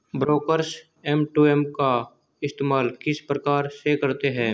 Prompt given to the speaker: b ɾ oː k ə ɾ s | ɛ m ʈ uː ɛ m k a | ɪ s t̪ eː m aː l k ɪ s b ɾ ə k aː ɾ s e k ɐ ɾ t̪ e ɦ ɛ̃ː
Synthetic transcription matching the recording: b ɾ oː k ə ɾ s | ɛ m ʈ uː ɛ m k a | ɪ s t̪ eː m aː l k ɪ s p ɾ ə k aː ɾ s e k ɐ ɾ t̪ e ɦ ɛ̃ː